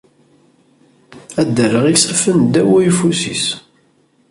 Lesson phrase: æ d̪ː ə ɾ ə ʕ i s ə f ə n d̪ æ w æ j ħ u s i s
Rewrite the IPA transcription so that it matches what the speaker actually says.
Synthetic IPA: æ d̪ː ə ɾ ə ʁ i s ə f ə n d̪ æ w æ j f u s i s